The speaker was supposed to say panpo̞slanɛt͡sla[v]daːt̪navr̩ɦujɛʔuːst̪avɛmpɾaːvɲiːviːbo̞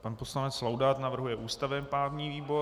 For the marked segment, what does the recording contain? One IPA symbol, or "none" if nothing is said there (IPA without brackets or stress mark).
w